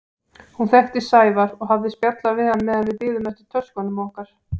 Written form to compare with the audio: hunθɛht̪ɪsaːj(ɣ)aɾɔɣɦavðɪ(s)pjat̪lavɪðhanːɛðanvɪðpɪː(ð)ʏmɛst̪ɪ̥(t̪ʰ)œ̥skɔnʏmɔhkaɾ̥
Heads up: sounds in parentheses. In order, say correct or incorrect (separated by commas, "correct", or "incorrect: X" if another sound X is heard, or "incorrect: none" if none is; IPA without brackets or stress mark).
incorrect: v, correct, correct, correct